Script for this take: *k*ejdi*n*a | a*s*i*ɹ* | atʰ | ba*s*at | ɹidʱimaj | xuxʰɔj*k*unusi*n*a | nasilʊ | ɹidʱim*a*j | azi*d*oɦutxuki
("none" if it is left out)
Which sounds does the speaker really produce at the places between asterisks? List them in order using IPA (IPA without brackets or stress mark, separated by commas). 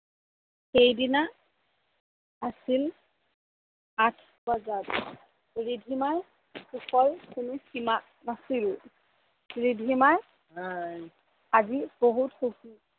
x, n, s, l, z, k, m, a, b